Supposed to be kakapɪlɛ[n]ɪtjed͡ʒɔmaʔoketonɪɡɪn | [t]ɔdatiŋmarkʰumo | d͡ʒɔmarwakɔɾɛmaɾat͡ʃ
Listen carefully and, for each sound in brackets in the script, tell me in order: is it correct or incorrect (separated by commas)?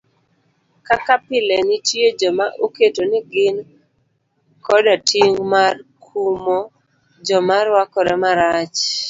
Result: correct, incorrect